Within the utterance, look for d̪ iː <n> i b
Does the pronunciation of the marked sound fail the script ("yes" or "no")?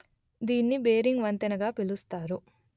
yes